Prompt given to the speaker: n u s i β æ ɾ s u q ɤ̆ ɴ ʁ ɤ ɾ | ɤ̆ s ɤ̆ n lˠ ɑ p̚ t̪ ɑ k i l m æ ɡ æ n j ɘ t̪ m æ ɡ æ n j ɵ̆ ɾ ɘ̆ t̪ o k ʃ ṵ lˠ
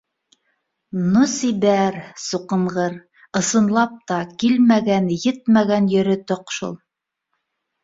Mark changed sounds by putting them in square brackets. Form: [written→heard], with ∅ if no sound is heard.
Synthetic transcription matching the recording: n u s i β æ ɾ s u q ɤ̆ ɴ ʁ ɤ ɾ | ɤ̆ s ɤ̆ n lˠ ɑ p̚ t̪ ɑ k i l m æ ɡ æ n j ɘ t̪ m æ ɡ æ n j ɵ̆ ɾ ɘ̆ t̪ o [k→q] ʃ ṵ lˠ

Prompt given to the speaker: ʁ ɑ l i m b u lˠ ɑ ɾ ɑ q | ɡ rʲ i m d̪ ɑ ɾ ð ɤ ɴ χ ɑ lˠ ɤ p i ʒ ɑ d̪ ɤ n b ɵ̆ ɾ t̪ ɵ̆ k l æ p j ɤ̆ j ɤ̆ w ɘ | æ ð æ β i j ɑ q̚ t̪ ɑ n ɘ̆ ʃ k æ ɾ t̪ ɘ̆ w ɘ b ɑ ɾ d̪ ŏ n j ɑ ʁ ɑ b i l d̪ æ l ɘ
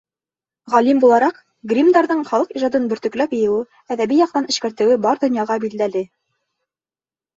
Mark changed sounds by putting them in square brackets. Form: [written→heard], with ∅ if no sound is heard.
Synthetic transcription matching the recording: ʁ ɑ l i m b u lˠ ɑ ɾ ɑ q | ɡ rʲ i m d̪ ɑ ɾ ð ɤ ɴ χ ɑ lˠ ɤ [p→q] i ʒ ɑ d̪ ɤ n b ɵ̆ ɾ t̪ ɵ̆ k l æ p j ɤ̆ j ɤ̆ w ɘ | æ ð æ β i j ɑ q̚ t̪ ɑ n ɘ̆ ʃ k æ ɾ t̪ ɘ̆ w ɘ b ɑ ɾ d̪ ŏ n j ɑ ʁ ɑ b i l d̪ æ l ɘ

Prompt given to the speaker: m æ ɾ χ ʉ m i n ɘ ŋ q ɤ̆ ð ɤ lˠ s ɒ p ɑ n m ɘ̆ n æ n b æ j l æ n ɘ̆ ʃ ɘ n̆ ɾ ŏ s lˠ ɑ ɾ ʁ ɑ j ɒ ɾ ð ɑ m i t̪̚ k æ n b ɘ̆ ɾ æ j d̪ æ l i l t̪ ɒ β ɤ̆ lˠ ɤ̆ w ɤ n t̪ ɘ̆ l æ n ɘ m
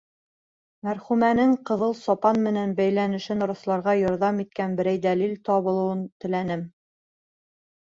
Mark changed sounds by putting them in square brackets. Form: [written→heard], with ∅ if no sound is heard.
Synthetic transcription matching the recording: m æ ɾ χ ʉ m [i→æ] n ɘ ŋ q ɤ̆ ð ɤ lˠ s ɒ p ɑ n m ɘ̆ n æ n b æ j l æ n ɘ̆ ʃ ɘ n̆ ɾ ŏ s lˠ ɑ ɾ ʁ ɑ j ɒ ɾ ð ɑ m i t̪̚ k æ n b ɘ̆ ɾ æ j d̪ æ l i l t̪ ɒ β ɤ̆ lˠ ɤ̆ w ɤ n t̪ ɘ̆ l æ n ɘ m

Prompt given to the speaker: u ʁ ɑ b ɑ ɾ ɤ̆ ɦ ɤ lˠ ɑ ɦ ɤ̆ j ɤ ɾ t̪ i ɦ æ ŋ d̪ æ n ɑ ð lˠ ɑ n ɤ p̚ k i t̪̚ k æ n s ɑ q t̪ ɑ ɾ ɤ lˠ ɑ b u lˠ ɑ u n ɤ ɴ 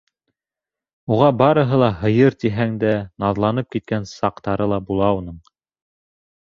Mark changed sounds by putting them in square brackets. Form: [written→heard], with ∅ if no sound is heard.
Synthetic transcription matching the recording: u ʁ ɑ b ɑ ɾ ɤ̆ ɦ ɤ lˠ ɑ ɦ ɤ̆ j ɤ ɾ t̪ i ɦ æ ŋ d̪ æ n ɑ ð lˠ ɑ n ɤ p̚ k i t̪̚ k æ n s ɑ q t̪ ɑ ɾ ɤ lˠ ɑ b u lˠ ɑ u n ɤ ɴ

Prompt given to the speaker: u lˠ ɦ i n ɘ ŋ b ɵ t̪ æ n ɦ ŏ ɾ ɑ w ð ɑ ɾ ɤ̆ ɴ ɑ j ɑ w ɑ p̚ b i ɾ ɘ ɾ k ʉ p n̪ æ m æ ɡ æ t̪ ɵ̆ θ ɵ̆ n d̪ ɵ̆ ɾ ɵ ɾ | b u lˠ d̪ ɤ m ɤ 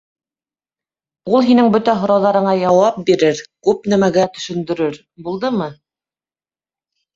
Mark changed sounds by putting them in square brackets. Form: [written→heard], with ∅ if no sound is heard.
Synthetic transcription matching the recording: u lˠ ɦ i n ɘ ŋ b ɵ t̪ æ [n→∅] ɦ ŏ ɾ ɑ w ð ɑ ɾ ɤ̆ ɴ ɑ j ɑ w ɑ p̚ b i ɾ ɘ ɾ k ʉ p n̪ æ m æ ɡ æ t̪ ɵ̆ [θ→ʃ] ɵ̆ n d̪ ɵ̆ ɾ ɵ ɾ | b u lˠ d̪ ɤ m ɤ

